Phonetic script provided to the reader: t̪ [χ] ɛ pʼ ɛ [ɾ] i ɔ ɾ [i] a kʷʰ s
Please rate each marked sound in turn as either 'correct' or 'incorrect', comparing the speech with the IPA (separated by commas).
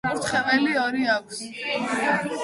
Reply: correct, incorrect, correct